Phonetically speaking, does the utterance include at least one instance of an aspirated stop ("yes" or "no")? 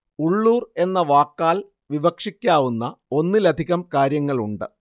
no